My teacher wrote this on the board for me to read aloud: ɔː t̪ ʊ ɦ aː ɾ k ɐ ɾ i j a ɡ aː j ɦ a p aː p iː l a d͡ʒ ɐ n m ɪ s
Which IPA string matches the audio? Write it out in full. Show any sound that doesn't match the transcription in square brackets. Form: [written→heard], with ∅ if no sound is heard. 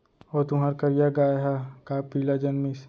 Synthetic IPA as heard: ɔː t̪ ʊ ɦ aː ɾ k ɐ ɾ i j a ɡ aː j ɦ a [p→k] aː p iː l a d͡ʒ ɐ n m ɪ s